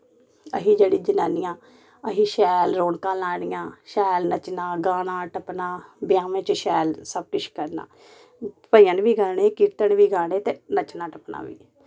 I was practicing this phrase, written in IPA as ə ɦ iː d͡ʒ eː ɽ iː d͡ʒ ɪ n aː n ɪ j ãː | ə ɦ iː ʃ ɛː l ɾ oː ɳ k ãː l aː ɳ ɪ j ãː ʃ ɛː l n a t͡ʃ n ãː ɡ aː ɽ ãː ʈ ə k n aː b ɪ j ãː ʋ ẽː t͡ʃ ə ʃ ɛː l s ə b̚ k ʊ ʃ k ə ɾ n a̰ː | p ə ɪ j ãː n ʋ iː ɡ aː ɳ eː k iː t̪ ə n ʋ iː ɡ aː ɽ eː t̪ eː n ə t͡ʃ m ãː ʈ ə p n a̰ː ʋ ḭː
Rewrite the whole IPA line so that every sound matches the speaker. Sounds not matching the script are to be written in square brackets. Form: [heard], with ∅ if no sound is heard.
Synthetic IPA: ə ɦ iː d͡ʒ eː ɽ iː d͡ʒ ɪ n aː n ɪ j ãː | ə ɦ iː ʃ ɛː l ɾ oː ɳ k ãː l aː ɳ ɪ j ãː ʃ ɛː l n [ə] t͡ʃ n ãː ɡ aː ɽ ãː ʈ ə [p] n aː b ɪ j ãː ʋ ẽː t͡ʃ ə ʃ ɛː l s ə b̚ k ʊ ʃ k ə ɾ n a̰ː | p ə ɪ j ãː n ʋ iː ɡ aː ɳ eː k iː t̪ ə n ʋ iː ɡ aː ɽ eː t̪ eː n ə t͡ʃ [n] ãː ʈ ə p n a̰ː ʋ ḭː